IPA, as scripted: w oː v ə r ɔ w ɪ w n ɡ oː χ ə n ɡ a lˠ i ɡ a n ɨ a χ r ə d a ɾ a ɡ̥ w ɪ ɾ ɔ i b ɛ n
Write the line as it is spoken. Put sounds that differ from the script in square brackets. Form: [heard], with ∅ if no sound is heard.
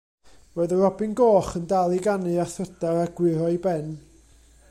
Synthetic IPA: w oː [ð] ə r ɔ [b] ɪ [∅] n ɡ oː χ ə n [d] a lˠ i ɡ a n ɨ a [θ] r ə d a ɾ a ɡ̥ w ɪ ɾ ɔ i b ɛ n